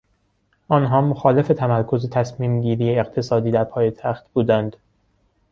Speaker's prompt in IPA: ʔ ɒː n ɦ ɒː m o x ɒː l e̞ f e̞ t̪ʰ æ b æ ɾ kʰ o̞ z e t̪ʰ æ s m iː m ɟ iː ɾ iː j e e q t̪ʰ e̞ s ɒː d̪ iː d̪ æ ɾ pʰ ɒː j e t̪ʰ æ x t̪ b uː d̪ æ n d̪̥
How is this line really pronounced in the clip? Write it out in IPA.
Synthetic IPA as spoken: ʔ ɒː n ɦ ɒː m o x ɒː l e̞ f e̞ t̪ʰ æ m æ ɾ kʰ o̞ z e t̪ʰ æ s m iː m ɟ iː ɾ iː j e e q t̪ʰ e̞ s ɒː d̪ iː d̪ æ ɾ pʰ ɒː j e t̪ʰ æ x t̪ b uː d̪ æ n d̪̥